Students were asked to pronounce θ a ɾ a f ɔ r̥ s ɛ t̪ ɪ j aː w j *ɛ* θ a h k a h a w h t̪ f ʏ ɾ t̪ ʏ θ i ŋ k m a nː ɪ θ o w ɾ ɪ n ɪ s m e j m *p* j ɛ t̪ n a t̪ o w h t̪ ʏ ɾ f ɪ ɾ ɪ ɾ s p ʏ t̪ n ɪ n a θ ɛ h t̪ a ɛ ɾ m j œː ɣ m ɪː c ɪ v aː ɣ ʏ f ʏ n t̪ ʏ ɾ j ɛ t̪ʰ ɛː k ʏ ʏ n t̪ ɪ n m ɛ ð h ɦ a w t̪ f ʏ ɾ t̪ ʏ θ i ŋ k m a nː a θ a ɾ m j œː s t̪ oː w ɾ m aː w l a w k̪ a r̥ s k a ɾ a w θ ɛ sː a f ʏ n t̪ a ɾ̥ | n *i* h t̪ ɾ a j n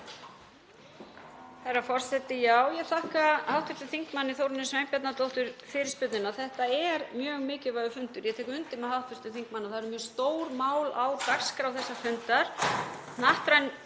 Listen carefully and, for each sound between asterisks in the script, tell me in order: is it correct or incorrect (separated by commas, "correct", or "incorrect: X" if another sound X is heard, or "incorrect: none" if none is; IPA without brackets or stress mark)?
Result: correct, correct, incorrect: a